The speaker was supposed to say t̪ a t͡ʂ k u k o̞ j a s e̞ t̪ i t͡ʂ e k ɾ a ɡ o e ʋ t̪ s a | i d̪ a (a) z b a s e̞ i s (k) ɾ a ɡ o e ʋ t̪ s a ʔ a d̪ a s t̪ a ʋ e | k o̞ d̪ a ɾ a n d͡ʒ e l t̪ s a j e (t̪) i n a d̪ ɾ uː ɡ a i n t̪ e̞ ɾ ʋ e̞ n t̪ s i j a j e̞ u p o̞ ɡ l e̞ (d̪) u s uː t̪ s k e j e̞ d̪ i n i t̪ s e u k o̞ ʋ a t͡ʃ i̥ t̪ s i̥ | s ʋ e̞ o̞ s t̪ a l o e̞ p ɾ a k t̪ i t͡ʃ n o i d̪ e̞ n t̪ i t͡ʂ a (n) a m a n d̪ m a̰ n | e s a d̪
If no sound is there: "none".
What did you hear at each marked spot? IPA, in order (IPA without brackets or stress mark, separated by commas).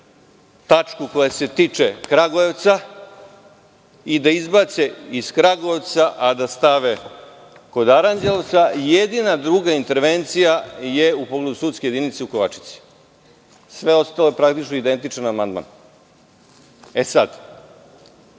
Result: i, k, d̪, d̪, n